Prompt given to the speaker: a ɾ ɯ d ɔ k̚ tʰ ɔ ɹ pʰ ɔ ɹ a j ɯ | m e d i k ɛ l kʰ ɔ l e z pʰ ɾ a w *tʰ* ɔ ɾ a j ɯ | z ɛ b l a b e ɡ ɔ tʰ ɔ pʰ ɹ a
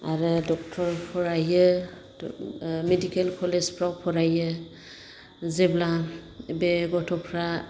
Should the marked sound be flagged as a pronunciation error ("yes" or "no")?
yes